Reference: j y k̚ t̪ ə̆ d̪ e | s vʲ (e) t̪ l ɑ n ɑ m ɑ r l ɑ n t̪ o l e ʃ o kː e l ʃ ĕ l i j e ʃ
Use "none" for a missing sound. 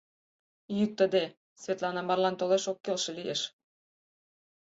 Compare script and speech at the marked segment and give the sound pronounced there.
e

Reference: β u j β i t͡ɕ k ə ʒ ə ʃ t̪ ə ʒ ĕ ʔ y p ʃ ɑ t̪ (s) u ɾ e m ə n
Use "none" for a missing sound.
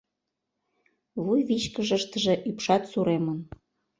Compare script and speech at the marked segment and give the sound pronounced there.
s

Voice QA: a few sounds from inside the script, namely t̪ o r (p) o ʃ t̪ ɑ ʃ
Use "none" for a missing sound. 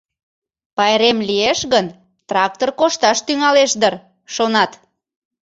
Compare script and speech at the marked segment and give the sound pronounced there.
k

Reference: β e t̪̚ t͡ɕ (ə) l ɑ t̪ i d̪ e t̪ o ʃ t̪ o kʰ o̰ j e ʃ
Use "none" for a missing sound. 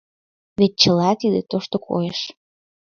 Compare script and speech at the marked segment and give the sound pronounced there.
ə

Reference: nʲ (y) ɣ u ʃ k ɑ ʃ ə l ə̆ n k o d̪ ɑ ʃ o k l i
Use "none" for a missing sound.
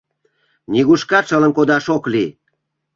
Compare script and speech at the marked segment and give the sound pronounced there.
i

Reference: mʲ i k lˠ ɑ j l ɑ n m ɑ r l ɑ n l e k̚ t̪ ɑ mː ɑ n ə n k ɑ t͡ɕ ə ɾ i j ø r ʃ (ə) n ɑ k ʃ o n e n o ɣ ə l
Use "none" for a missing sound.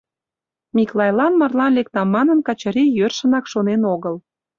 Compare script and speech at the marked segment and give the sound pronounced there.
ə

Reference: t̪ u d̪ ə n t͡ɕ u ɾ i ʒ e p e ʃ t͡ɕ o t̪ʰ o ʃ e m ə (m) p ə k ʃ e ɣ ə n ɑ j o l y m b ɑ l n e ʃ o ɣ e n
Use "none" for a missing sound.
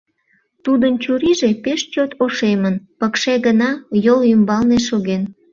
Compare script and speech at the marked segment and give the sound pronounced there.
n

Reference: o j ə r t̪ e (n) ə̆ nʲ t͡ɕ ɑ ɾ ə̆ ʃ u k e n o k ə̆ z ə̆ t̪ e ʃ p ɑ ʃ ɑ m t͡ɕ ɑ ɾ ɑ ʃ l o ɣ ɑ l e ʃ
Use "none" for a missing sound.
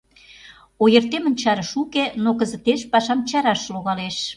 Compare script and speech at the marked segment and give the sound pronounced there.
m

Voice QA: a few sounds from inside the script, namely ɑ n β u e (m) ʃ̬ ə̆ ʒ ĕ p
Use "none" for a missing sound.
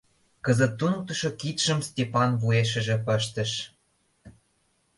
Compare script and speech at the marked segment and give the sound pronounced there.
none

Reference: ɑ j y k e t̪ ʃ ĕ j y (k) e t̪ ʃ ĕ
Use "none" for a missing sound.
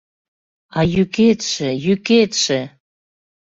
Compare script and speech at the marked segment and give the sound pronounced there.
k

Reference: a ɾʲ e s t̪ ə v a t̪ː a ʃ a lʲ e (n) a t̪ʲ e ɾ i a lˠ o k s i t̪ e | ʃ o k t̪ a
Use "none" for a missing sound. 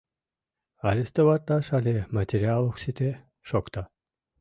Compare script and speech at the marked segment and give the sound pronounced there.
m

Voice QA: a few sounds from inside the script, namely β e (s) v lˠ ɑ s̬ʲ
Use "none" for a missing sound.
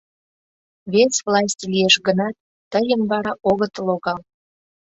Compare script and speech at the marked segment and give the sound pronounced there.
s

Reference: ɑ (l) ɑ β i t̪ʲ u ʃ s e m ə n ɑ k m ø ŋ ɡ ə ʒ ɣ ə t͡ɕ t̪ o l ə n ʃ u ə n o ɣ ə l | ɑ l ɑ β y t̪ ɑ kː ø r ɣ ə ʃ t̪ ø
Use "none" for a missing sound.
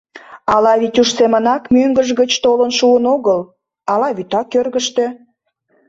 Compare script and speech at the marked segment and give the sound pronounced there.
l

